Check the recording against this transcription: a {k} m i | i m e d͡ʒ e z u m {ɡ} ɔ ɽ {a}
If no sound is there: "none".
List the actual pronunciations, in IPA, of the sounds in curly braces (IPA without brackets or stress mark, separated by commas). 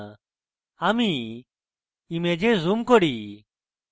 none, k, i